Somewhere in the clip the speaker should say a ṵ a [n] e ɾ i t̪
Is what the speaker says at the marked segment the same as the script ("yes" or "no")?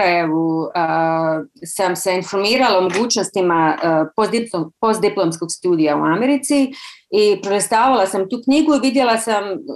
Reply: no